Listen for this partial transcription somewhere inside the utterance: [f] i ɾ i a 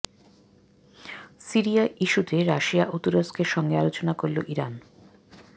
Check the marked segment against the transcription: incorrect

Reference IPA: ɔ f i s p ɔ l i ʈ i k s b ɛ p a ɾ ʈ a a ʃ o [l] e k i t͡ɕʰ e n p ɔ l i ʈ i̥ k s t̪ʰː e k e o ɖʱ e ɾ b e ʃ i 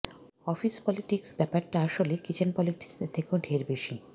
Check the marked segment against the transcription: correct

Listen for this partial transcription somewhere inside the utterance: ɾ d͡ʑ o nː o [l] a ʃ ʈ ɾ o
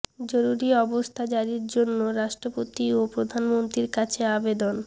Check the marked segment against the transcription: incorrect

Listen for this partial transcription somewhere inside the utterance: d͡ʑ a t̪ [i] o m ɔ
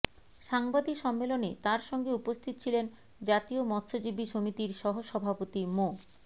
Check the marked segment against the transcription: correct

